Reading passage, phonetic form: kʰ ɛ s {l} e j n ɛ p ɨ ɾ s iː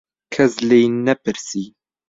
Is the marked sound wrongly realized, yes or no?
no